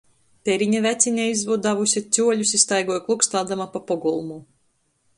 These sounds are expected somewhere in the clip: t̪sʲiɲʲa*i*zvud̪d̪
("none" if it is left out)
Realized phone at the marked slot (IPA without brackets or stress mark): i